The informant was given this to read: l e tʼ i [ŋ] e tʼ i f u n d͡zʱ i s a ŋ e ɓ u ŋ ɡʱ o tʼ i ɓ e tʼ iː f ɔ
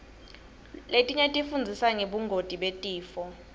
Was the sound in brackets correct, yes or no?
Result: no